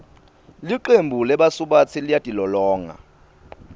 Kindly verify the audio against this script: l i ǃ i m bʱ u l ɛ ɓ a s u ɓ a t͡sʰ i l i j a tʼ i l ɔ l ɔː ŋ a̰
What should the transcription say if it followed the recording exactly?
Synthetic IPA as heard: l i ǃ e m bʱ u l ɛ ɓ a s u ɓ a t͡sʰ i l i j a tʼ i l ɔ l ɔː ŋ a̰